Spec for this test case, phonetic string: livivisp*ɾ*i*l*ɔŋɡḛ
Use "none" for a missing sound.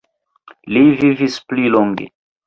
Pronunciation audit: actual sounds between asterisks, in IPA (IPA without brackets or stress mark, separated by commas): l, l